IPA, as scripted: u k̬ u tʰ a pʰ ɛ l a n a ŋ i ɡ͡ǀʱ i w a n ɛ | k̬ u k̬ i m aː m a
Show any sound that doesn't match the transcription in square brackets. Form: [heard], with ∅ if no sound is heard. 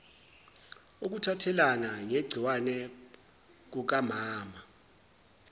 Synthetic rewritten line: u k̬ u tʰ a [tʰ] ɛ l a n a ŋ [e] ɡ͡ǀʱ i w a n ɛ | k̬ u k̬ [a] m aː m a